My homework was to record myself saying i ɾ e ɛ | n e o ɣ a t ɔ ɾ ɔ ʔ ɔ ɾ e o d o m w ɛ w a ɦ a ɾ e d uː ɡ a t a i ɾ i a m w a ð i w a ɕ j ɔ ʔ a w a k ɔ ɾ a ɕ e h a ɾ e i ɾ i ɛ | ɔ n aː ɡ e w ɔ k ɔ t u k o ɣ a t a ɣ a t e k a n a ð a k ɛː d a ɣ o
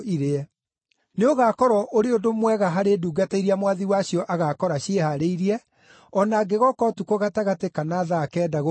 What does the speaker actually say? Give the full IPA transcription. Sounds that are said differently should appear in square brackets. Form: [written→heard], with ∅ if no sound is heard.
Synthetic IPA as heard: i ɾ e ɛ | n e o ɣ a [t→k] ɔ ɾ ɔ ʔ [ɔ→o] ɾ e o d o m w ɛ [w→ɣ] a ɦ a ɾ e d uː ɡ a t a i ɾ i a m w a ð i w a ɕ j ɔ ʔ a [w→ɣ] a k ɔ ɾ a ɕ e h a ɾ e i ɾ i ɛ | ɔ n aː ɡ e [w→ɣ] ɔ k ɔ t u k o ɣ a t a ɣ a t e k a n a ð a k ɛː d a ɣ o